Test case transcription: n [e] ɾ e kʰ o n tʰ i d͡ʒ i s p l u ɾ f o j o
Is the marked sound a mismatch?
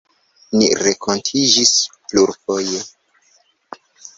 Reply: yes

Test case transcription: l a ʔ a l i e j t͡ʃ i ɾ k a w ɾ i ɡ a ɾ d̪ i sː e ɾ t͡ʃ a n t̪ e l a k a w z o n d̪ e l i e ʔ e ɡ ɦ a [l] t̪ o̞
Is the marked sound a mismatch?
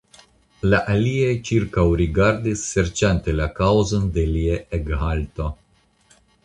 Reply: no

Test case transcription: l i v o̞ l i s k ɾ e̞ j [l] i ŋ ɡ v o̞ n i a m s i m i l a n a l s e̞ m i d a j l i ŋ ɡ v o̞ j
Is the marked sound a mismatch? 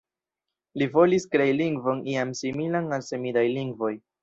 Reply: no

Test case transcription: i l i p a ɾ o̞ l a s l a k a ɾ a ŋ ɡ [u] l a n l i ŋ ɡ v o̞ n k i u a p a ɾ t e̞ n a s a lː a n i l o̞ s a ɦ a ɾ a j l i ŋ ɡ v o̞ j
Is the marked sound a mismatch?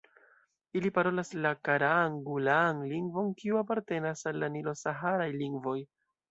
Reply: no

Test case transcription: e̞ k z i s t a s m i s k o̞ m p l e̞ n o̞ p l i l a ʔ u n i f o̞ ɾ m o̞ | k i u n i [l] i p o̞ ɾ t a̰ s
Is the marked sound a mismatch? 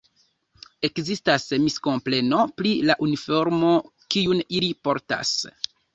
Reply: no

